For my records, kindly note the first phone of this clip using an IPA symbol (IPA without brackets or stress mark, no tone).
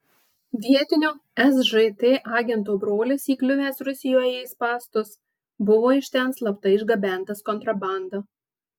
ʋʲ